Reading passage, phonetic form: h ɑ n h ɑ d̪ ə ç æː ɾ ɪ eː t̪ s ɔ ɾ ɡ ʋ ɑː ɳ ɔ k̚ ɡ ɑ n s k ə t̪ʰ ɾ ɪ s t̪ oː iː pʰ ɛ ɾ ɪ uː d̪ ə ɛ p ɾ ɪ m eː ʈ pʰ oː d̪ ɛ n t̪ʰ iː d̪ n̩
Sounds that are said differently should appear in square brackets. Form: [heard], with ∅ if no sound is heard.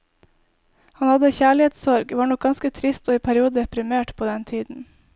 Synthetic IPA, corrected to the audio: h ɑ n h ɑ d̪ ə ç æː [ɭ] ɪ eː t̪ s ɔ ɾ ɡ ʋ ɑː ɳ ɔ k̚ ɡ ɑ n s k ə t̪ʰ ɾ ɪ s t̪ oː iː pʰ [æ] ɾ ɪ uː d̪ ə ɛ p ɾ ɪ m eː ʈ pʰ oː d̪ ɛ n t̪ʰ iː d̪ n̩